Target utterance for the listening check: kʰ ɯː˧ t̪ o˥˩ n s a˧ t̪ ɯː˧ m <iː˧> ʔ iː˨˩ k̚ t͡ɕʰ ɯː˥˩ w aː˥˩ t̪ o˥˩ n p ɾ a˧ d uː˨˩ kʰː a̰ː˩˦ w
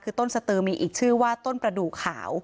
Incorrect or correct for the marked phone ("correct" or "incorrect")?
correct